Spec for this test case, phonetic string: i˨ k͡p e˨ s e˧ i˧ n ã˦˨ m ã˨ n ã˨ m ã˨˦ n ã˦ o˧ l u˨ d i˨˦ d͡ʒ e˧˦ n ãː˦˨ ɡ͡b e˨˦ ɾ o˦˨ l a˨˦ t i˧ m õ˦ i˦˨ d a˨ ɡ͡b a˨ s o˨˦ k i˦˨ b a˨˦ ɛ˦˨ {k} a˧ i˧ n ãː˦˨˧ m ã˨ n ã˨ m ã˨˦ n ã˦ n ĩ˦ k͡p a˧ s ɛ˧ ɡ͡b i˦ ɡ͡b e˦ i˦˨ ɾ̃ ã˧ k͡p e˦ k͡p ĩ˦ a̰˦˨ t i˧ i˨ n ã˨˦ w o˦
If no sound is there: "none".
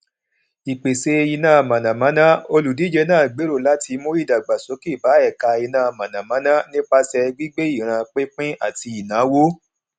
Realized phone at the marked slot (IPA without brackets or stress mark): k